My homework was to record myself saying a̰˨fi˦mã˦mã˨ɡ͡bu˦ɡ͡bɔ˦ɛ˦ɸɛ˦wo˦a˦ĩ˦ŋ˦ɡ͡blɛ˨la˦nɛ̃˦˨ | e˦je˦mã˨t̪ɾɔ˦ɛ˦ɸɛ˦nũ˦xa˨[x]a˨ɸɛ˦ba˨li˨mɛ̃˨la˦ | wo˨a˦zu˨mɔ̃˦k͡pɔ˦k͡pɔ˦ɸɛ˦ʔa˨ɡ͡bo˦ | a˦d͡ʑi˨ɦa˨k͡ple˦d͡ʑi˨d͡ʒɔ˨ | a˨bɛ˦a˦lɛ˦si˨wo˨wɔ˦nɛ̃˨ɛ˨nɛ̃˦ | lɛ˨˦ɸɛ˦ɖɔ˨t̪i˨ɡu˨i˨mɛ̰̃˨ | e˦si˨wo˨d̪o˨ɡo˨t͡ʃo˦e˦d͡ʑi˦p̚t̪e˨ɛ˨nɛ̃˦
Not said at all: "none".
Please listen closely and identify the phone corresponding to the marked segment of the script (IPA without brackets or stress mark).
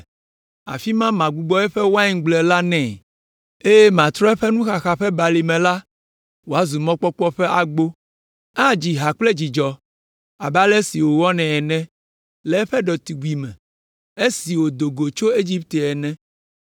x